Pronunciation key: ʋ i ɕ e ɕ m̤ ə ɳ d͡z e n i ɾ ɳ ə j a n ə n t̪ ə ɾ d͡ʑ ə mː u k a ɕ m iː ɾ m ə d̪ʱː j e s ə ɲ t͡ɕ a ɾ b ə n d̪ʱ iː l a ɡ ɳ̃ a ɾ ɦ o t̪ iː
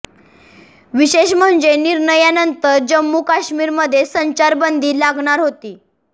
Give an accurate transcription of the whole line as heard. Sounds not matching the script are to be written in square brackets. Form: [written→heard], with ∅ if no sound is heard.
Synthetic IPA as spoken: ʋ i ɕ e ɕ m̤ ə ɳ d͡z e n i ɾ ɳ ə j a n ə n t̪ ə ɾ d͡ʑ ə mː u k a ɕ m iː ɾ m ə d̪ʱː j e s ə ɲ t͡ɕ a ɾ b ə n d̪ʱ iː l a ɡ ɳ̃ a ɾ ɦ o t̪ iː

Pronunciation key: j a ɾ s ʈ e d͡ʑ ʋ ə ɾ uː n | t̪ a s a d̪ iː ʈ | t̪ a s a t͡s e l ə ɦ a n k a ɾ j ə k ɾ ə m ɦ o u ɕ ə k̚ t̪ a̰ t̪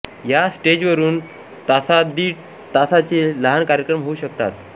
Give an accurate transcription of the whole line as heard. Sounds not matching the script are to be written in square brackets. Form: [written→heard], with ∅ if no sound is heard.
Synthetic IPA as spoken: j a [ɾ→∅] s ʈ e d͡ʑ ʋ ə ɾ uː n | t̪ a s a d̪ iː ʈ | t̪ a s a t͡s e l ə ɦ a n k a ɾ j ə k ɾ ə m ɦ o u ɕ ə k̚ t̪ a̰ t̪

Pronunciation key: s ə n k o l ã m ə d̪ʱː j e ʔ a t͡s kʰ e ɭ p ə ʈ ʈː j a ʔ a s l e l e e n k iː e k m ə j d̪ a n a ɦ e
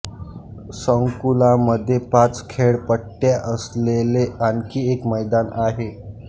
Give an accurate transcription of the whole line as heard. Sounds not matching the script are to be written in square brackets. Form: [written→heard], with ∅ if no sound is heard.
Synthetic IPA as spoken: s ə [n→ŋ] k [o→u] l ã m ə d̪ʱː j e [ʔ→p] a t͡s kʰ e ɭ p ə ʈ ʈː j a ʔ [a→ə] s l e l e [e→a] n k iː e k m ə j d̪ a n a ɦ e

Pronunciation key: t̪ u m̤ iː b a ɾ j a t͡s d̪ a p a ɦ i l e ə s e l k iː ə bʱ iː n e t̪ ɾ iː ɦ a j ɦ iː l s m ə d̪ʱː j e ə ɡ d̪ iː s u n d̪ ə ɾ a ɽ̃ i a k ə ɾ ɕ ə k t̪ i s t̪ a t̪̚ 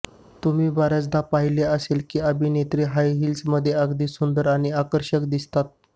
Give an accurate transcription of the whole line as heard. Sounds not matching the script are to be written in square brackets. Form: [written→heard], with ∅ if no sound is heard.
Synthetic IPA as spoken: t̪ u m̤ iː b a ɾ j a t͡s d̪ a p a ɦ i l e ə s e l k iː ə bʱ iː n e t̪ ɾ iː ɦ a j ɦ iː l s m ə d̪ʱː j e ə ɡ d̪ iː s u n d̪ ə ɾ a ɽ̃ i a k ə ɾ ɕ ə k [t̪→d̪] i s t̪ a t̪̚

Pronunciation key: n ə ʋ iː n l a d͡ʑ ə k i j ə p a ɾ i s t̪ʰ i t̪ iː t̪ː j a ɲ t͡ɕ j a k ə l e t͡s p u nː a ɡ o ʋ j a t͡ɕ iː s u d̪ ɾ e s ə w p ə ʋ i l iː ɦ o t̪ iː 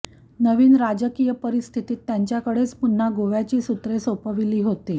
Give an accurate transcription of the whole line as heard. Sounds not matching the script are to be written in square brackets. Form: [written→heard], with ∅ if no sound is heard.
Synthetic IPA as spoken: n ə ʋ iː n [l→ɾ] a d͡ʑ ə k i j ə p [a→ə] ɾ i s t̪ʰ i t̪ iː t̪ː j a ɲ t͡ɕ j a k ə [l→ɽ] e t͡s p u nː a ɡ o ʋ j a t͡ɕ iː s u [d̪→t̪] ɾ e s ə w p ə ʋ i l iː ɦ o t̪ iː

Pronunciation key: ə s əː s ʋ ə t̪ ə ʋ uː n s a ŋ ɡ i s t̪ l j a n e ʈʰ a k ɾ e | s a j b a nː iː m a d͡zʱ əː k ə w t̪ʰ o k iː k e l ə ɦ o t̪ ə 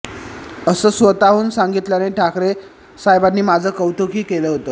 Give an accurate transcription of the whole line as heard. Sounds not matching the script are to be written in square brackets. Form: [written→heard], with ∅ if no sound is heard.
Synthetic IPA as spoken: ə s əː s ʋ ə t̪ [ə→a] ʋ uː n s a ŋ ɡ i [s→∅] t̪ l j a n e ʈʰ a k ɾ e | s a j b a nː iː m a d͡zʱ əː k ə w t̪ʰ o k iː k e l ə ɦ o t̪ ə

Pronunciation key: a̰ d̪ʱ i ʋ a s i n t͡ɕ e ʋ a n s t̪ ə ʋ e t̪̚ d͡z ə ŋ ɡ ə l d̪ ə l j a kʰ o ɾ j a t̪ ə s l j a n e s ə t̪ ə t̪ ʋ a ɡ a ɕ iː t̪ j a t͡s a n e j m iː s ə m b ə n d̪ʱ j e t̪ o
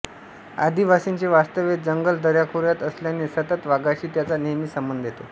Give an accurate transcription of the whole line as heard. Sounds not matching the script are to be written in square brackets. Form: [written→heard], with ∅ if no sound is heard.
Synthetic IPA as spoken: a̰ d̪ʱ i ʋ a s i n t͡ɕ e ʋ a [n→∅] s t̪ ə ʋ e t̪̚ d͡z ə ŋ ɡ ə l d̪ ə [l→ɾ] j a kʰ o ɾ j a t̪ ə s l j a n e s ə t̪ ə t̪ ʋ a ɡ a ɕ iː t̪ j a t͡s a n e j m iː s ə m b ə n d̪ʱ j e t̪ o

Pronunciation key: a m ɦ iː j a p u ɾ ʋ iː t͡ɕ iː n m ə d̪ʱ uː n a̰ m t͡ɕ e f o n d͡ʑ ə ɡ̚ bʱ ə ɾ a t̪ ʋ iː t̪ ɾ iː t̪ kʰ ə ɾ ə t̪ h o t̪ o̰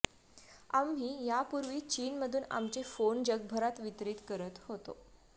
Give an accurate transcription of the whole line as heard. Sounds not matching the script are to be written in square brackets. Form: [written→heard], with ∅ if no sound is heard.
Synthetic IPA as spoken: a m ɦ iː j a p u ɾ ʋ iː t͡ɕ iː n m ə d̪ʱ uː n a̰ m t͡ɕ e f o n d͡ʑ ə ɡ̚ bʱ ə ɾ a t̪ ʋ [iː→i] t̪ ɾ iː t̪ [kʰ→k] ə ɾ ə t̪ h o t̪ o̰

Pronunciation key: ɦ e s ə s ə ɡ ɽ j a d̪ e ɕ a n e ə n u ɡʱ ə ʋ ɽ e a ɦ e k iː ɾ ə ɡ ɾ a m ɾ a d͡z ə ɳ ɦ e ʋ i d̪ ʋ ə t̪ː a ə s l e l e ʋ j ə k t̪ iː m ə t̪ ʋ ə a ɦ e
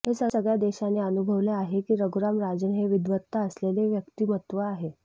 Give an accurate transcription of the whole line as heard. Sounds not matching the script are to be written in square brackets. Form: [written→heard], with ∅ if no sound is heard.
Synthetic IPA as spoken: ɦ e s ə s ə ɡ [ɽ→ɭ] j a d̪ e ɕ a n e ə n u [ɡʱ→bʱ] ə ʋ [ɽ→l] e a ɦ e k iː ɾ ə ɡ ɾ a m ɾ a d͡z ə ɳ ɦ e ʋ i d̪ ʋ ə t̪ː a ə s l e l e ʋ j ə k t̪ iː m ə t̪ ʋ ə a ɦ e

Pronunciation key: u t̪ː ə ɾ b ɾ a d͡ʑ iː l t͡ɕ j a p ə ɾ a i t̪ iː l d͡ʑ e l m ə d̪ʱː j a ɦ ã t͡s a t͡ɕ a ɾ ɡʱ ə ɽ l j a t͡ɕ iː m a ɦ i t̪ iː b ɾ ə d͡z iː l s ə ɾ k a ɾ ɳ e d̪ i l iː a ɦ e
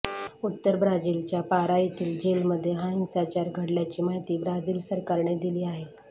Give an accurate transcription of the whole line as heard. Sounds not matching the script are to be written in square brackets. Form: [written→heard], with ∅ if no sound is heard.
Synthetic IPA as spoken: u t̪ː ə ɾ b ɾ a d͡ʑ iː l t͡ɕ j a p [ə→a] ɾ a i t̪ iː l d͡ʑ e l m ə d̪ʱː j [a→e] ɦ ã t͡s a t͡ɕ a ɾ ɡʱ ə ɽ l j a t͡ɕ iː m a ɦ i t̪ iː b ɾ [ə→a] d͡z iː l s ə ɾ k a ɾ ɳ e d̪ i l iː a ɦ e

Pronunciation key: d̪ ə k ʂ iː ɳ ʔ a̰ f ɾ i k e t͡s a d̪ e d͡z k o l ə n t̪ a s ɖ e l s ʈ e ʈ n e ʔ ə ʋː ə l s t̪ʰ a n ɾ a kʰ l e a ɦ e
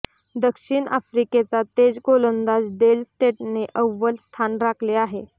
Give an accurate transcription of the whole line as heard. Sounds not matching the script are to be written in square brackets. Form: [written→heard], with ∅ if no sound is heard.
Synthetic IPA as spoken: d̪ ə k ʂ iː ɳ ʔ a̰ f ɾ i k e t͡s a [d̪→t̪] e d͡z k o l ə n [t̪→d̪] a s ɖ e l s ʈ e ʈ n e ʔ ə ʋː ə l s t̪ʰ a n ɾ a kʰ l e a ɦ e

